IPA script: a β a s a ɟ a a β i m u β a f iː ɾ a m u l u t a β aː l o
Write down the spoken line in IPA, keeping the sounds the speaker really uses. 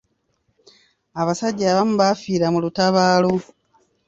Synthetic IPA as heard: a β a s a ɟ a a β a m u β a f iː ɾ a m u l u t a β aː l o